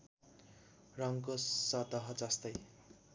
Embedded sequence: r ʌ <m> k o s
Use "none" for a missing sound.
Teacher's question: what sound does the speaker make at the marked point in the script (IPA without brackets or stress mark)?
ŋ